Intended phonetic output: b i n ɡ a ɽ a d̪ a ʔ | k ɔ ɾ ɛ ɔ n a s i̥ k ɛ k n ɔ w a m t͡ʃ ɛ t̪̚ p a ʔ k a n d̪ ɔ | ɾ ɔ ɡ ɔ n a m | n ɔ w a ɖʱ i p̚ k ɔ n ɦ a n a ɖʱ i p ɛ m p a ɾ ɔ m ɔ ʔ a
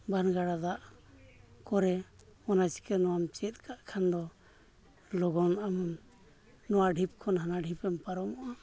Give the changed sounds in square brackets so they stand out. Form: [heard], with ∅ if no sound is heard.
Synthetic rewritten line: b [a] n ɡ a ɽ a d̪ a ʔ | k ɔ ɾ ɛ ɔ n a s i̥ k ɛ [∅] n ɔ w a m t͡ʃ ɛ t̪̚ [k] a ʔ [kʰ] a n d̪ ɔ | [l] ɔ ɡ ɔ n a m | n ɔ w a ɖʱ i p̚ [kʰ] ɔ n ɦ a n a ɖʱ i p ɛ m p a ɾ ɔ m ɔ ʔ a